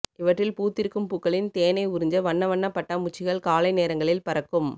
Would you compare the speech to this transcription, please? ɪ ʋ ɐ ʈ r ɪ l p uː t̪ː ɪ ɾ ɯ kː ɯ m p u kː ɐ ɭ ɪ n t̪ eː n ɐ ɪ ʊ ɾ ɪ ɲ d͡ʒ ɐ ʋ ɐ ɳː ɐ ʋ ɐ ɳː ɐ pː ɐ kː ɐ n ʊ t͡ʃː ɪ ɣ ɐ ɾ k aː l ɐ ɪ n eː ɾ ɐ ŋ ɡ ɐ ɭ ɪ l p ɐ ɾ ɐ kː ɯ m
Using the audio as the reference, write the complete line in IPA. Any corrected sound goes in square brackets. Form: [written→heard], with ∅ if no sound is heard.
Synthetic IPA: ɪ ʋ ɐ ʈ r ɪ l p uː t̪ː ɪ ɾ ɯ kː ɯ m p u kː ɐ ɭ ɪ n t̪ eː n ɐ ɪ ʊ ɾ ɪ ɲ d͡ʒ ɐ ʋ ɐ ɳː ɐ ʋ ɐ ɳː ɐ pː ɐ [kː→ʈː] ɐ [n→m] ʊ t͡ʃː ɪ ɣ ɐ [ɾ→ɭ] k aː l ɐ ɪ n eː ɾ ɐ ŋ ɡ ɐ ɭ ɪ l p ɐ ɾ ɐ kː ɯ m